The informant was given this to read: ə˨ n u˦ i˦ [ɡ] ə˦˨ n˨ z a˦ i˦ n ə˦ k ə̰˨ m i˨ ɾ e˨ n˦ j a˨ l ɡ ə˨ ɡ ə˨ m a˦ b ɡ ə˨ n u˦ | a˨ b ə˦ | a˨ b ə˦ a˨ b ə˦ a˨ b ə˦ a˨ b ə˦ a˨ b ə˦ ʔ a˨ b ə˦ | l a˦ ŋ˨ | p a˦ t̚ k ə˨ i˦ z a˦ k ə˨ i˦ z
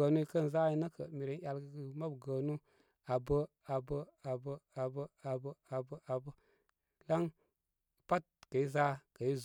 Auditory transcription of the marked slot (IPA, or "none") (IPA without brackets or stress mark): k